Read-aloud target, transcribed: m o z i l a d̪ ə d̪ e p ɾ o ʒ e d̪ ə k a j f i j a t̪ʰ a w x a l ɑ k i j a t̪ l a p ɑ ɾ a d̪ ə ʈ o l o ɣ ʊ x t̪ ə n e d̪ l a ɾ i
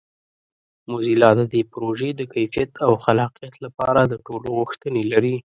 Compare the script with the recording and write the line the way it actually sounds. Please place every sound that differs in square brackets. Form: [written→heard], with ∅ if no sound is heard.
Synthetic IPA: m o z i l [a→ɑ] d̪ ə d̪ e p ɾ o ʒ e d̪ ə k a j f i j a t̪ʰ a w x a l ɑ [k→q] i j a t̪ l a p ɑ ɾ a d̪ ə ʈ o l o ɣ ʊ x t̪ ə n e [d̪→∅] l a ɾ i